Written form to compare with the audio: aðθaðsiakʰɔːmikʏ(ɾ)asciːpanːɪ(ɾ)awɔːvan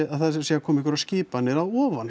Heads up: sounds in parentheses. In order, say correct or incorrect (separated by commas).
correct, correct